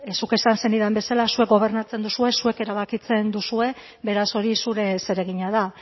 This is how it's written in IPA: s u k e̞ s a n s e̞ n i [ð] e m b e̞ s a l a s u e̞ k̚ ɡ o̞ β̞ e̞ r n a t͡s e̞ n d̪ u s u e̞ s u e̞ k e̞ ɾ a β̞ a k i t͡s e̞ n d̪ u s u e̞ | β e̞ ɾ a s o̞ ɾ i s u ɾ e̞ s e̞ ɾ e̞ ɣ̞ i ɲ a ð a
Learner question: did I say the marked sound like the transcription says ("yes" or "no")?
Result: yes